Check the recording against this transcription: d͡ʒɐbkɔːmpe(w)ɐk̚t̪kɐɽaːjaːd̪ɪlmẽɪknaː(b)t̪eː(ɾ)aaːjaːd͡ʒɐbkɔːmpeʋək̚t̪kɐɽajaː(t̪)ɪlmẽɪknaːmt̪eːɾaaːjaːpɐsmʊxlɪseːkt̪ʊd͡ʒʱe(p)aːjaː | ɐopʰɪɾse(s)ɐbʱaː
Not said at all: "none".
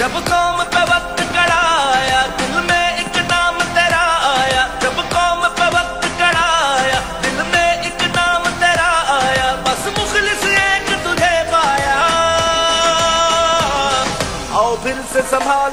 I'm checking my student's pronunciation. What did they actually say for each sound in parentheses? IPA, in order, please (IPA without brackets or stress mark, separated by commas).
ʋ, m, ɾ, d̪, p, s